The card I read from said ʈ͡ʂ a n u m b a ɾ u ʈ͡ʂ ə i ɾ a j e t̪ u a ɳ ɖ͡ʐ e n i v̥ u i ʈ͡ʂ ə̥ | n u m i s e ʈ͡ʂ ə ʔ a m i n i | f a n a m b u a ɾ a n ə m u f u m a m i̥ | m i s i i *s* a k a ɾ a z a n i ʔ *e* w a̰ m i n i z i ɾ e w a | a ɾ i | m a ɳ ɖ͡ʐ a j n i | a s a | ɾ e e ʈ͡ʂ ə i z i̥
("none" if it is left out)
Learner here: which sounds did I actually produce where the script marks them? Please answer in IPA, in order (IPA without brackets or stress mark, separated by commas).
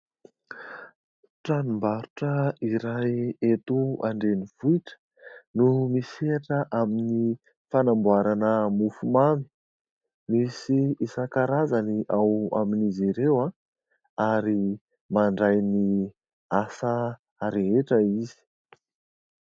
s, a